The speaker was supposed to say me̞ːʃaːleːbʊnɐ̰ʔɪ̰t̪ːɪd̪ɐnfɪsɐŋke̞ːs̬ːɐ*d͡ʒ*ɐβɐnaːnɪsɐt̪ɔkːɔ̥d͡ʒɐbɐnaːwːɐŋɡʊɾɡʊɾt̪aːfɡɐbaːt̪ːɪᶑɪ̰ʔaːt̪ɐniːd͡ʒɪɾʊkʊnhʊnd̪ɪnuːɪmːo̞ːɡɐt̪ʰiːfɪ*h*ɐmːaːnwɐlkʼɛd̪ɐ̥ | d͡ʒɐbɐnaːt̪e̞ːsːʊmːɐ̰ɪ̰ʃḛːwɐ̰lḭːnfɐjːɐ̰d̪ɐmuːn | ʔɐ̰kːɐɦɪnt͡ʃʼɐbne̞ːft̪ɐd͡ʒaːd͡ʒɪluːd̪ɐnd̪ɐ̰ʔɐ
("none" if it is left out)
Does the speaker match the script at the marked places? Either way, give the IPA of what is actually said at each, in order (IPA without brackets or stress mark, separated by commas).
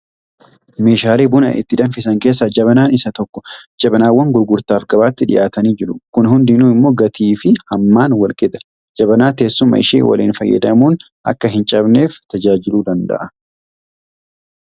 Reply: d͡ʒ, h